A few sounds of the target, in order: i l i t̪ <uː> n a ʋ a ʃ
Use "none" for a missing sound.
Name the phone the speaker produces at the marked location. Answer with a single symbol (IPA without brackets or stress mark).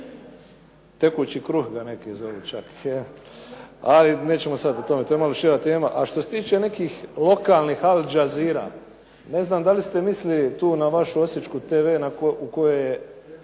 uː